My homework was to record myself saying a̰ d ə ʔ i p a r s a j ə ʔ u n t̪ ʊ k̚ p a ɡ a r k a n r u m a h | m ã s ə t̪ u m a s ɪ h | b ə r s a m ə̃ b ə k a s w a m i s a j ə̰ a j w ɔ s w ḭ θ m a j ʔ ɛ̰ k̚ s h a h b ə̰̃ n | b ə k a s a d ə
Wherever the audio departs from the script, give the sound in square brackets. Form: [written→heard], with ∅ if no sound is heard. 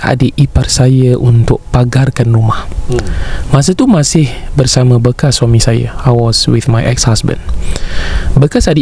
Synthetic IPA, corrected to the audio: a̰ d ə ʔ i p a r s a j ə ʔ u n t̪ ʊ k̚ p a ɡ a r k a n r u m a h | m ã s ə t̪ u m a s ɪ h | b ə r s a m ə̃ b ə k a s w a m i s a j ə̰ a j w ɔ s w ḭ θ m a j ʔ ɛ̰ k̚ s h a [h→s] b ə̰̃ n | b ə k a s a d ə